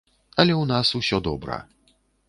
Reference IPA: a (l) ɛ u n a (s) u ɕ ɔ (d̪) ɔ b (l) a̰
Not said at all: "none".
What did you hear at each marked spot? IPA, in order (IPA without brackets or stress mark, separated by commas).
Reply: l, s, d̪, ɾ